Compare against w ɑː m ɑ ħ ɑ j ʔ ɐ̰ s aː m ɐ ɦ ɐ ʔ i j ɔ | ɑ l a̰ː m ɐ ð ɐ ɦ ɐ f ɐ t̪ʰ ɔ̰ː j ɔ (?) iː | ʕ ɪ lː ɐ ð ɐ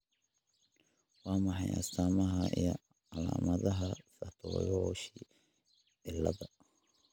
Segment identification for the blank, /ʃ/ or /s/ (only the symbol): ʃ